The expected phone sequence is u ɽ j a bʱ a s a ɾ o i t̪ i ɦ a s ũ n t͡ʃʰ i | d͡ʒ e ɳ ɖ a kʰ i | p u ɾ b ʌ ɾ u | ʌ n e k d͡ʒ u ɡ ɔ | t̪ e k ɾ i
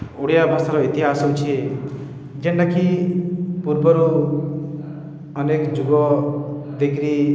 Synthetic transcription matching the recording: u ɽ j a bʱ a s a ɾ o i t̪ i ɦ a s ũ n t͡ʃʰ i | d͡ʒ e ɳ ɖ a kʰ i | p u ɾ b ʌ ɾ u | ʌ n e k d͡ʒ u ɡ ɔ | d̪ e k ɾ i